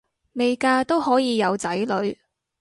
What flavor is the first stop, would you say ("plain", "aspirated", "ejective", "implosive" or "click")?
plain